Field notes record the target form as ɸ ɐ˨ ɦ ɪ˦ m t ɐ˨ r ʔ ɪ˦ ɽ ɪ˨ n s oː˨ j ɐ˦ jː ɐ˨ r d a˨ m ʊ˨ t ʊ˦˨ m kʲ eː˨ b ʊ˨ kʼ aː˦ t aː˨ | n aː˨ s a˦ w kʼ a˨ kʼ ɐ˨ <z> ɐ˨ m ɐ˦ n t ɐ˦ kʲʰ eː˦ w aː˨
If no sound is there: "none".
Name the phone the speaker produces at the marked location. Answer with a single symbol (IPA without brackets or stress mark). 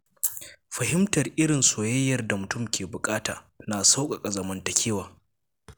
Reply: z